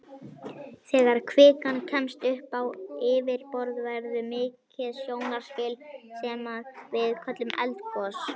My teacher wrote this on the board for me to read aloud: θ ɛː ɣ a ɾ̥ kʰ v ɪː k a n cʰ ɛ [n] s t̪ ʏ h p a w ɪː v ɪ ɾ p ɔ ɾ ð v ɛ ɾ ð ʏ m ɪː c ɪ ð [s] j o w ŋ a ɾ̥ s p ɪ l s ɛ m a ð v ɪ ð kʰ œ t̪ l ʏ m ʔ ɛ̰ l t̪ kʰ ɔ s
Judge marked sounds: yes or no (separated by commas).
no, yes